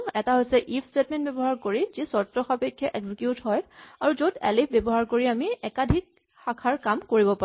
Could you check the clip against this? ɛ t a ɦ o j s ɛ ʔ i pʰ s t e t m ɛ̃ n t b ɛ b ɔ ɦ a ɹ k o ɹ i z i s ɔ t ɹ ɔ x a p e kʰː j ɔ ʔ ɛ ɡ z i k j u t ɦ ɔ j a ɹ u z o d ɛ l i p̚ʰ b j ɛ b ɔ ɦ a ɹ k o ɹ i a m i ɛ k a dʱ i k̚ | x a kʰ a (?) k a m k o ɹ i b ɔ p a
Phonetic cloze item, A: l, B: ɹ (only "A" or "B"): B